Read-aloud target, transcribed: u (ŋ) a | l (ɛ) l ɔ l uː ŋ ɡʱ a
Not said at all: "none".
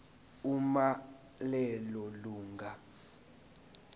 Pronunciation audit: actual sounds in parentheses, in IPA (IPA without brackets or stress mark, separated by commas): m, ɛ